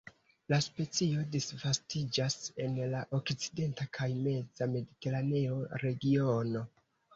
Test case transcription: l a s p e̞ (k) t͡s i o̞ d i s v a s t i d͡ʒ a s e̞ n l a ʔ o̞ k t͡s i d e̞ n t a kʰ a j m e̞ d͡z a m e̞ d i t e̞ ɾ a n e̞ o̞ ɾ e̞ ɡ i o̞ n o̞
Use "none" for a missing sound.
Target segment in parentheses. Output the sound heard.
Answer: none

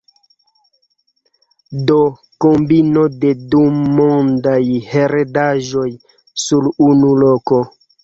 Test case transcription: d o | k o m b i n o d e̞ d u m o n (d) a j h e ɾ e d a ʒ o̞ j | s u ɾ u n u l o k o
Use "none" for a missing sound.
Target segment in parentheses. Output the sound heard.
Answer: d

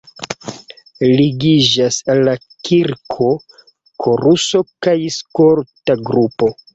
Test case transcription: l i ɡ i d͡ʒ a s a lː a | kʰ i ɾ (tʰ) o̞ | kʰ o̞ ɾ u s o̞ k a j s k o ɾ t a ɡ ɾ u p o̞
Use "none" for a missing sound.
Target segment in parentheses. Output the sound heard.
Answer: kʰ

